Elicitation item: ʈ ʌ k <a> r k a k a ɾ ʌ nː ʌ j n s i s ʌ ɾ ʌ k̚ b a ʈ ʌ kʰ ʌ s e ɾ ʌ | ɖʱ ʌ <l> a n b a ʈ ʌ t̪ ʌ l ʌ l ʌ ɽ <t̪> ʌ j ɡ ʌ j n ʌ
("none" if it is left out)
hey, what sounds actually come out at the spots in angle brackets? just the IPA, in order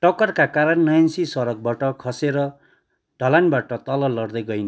ʌ, l, d̪

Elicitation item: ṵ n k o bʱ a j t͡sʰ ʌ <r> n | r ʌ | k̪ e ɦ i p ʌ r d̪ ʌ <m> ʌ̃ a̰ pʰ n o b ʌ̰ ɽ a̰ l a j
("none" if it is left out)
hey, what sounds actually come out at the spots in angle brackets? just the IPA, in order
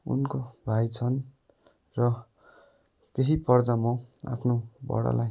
none, m

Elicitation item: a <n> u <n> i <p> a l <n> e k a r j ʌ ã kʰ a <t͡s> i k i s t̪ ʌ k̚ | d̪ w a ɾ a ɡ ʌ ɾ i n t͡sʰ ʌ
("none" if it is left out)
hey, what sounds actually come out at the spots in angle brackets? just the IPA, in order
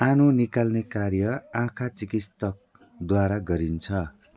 n, n, k, n, t͡s

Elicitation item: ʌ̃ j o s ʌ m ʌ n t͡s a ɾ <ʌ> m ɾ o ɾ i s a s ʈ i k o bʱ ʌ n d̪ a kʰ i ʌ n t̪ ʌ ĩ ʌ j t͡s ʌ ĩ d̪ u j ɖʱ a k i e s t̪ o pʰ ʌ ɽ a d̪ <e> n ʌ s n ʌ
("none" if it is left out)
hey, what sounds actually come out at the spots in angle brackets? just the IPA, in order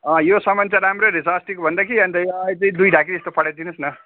a, i

